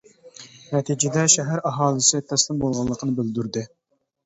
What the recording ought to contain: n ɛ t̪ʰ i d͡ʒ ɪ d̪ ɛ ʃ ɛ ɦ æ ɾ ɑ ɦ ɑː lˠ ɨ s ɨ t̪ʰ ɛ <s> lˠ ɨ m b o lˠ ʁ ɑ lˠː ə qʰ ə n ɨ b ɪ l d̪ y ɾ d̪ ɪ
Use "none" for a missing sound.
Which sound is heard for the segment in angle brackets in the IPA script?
s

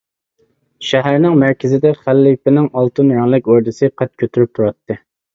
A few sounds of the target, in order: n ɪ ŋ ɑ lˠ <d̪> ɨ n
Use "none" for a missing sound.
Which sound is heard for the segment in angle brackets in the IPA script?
t̪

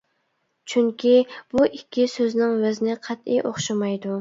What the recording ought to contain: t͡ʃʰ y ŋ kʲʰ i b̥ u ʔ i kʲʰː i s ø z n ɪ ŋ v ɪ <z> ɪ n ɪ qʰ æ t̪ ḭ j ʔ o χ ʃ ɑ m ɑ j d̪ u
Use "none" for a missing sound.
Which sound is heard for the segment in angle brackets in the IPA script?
z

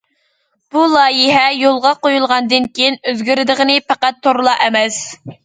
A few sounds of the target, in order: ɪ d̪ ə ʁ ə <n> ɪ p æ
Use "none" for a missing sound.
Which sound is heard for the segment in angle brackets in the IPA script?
n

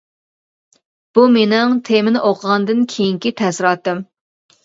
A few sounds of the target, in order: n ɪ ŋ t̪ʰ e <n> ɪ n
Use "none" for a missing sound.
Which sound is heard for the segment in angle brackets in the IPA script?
m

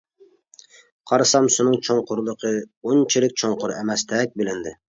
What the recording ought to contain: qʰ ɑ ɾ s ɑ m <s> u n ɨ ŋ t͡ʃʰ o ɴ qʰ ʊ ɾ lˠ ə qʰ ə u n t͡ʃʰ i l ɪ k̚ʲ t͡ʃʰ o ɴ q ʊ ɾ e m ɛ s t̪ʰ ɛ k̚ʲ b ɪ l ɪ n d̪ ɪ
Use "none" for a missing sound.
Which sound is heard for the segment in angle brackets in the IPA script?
s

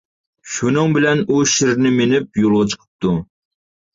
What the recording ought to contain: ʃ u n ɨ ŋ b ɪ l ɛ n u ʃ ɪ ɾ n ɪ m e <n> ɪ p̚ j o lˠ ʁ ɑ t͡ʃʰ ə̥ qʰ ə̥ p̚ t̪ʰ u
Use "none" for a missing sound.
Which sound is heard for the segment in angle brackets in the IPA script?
n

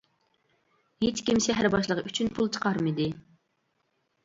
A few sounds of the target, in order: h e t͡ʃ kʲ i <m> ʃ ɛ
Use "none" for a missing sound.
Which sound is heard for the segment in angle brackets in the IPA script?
m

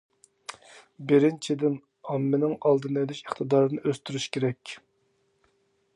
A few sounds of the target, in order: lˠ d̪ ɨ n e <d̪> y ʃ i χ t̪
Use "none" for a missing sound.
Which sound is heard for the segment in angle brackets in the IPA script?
d̪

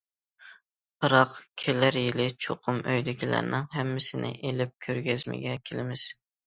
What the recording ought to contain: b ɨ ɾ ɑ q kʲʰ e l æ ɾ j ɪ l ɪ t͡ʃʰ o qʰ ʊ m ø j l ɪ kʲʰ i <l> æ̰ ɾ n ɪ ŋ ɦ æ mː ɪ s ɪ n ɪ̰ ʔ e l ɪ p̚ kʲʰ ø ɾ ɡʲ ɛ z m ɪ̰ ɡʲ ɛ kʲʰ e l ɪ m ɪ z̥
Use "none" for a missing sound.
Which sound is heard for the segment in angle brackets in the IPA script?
l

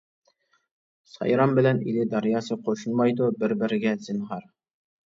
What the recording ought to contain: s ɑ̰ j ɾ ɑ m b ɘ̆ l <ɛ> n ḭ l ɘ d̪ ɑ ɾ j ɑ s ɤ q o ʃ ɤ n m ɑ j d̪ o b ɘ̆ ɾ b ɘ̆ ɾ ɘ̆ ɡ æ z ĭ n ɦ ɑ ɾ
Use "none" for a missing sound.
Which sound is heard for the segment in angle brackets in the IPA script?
æ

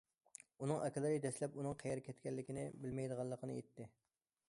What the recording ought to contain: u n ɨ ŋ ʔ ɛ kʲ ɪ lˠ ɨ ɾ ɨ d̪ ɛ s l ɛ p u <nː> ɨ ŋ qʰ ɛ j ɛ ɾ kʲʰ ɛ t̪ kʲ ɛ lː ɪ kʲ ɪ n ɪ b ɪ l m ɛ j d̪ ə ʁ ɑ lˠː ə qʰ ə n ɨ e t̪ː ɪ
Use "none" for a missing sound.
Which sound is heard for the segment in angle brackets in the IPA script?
n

